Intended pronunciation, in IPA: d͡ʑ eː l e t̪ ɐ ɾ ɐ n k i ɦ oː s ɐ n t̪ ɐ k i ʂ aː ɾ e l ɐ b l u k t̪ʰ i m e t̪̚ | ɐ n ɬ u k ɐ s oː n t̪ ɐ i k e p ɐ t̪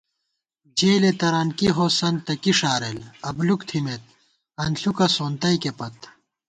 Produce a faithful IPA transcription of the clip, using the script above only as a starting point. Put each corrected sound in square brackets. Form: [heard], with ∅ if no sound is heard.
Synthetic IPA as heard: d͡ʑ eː l e t̪ ɐ ɾ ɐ n k i ɦ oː s ɐ n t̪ ɐ k i ʂ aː ɾ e l ɐ b l u k t̪ʰ i m e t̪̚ | ɐ n ɬ u k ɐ s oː n t̪ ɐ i k e p ɐ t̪